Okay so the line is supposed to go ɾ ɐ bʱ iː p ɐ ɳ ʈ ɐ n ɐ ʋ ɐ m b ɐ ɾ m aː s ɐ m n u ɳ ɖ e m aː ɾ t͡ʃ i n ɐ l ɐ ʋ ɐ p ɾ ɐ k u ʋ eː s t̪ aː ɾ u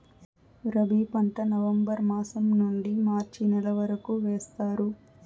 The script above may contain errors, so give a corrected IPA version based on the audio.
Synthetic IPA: ɾ ɐ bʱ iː p ɐ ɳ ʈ ɐ n ɐ ʋ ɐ m b ɐ ɾ m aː s ɐ m n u ɳ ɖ i m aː ɾ t͡ʃ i n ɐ l ɐ ʋ ɐ ɾ ɐ k u ʋ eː s t̪ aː ɾ u